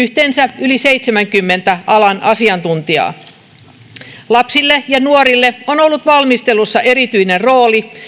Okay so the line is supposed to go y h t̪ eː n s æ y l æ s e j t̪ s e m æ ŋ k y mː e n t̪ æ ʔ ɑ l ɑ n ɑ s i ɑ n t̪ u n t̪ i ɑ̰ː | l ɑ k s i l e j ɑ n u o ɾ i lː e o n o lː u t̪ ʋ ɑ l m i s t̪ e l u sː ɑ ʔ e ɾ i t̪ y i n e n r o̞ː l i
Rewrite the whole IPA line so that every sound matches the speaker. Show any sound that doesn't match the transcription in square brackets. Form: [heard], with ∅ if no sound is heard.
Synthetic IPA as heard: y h t̪ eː n s æ y l [i] s e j t̪ s e m æ ŋ k y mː e n t̪ æ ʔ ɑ l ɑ n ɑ s i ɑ n t̪ u n t̪ i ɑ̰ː | l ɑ [p] s i [lː] e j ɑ n u o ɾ i lː e o n o lː u t̪ ʋ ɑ l m i s t̪ e l u sː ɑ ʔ e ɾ i t̪ y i n e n r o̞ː l i